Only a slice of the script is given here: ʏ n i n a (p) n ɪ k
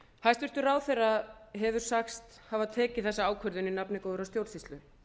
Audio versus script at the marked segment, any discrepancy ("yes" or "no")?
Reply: no